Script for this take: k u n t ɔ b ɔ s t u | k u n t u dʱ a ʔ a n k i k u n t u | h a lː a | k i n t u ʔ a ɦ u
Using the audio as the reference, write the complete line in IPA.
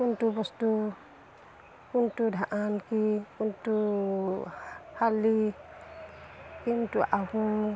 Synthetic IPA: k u n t u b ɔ s t u | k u n t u dʱ a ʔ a n k i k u n t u | h a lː i | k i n t u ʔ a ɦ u

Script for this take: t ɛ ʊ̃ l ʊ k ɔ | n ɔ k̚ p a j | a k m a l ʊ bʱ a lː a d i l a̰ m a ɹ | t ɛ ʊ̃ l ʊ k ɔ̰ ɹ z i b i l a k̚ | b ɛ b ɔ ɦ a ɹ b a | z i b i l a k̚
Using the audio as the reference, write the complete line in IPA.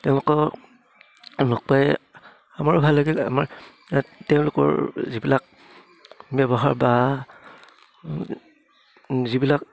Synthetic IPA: t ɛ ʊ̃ l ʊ k ɔ | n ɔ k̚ p a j | a m a ɹ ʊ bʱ a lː a ɡ i l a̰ m a ɹ | t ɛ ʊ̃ l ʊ k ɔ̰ ɹ z i b i l a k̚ | b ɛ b ɔ ɦ a ɹ b a | z i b i l a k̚

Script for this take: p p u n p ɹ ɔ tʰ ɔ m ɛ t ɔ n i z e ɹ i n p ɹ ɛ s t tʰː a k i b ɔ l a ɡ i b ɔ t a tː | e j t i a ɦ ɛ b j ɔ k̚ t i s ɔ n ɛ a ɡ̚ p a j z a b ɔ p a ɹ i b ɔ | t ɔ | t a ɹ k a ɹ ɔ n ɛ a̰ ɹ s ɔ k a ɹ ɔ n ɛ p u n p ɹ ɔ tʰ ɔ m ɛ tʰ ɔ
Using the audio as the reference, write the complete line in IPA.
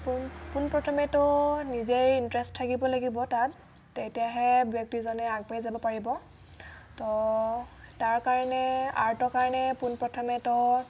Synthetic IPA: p p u n p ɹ ɔ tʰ ɔ m ɛ t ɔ n i z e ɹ i n t ɹ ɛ s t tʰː a k i b ɔ l a ɡ i b ɔ t a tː | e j t i a ɦ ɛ b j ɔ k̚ t i z ɔ n ɛ a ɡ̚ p a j z a b ɔ p a ɹ i b ɔ | t ɔ | t a ɹ k a ɹ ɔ n ɛ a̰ ɹ t ɔ k a ɹ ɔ n ɛ p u n p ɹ ɔ tʰ ɔ m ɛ t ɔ

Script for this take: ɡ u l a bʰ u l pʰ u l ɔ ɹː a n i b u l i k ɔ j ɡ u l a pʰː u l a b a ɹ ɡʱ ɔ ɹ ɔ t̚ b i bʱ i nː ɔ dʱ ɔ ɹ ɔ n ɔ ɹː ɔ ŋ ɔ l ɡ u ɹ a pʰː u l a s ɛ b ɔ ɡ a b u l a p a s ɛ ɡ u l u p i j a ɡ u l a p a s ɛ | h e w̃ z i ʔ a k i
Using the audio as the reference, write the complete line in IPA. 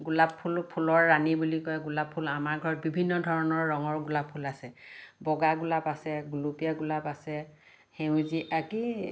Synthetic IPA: ɡ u l a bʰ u l pʰ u l ɔ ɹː a n i b u l i k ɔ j ɡ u l a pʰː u l a m a ɹ ɡʱ ɔ ɹ ɔ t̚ b i bʱ i nː ɔ dʱ ɔ ɹ ɔ n ɔ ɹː ɔ ŋ ɔ ɹ ɡ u l a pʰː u l a s ɛ b ɔ ɡ a ɡ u l a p a s ɛ ɡ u l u p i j a ɡ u l a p a s ɛ | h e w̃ z i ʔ a k i

